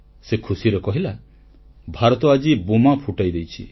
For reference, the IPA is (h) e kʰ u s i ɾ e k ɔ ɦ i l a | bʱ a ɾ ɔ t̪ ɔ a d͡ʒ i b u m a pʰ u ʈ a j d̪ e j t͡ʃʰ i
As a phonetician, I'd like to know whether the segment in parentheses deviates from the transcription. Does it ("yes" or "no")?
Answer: yes